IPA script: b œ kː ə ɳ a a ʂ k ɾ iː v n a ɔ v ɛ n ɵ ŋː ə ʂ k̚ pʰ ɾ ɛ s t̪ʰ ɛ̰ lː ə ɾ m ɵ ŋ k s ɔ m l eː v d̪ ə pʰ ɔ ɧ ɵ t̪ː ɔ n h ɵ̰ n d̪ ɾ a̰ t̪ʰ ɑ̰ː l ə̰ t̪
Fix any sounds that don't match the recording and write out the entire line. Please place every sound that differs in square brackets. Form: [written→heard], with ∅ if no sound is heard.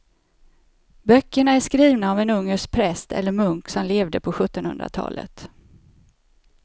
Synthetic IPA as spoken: b œ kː ə ɳ a [a→æ] ʂ k ɾ iː v n a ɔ v ɛ n ɵ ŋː ə ʂ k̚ pʰ ɾ ɛ s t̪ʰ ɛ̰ lː ə ɾ m ɵ ŋ k s ɔ m l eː v d̪ ə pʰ ɔ ɧ ɵ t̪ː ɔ n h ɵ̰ n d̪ ɾ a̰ t̪ʰ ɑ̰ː l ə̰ t̪